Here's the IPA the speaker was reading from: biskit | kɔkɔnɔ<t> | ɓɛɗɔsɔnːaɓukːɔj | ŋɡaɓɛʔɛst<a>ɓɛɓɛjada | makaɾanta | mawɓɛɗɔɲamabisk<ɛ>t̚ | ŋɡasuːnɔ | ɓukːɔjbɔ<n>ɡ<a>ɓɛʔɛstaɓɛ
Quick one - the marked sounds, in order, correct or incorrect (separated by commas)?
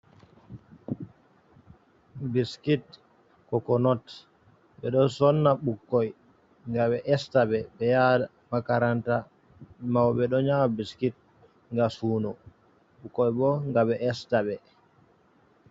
correct, correct, incorrect, incorrect, correct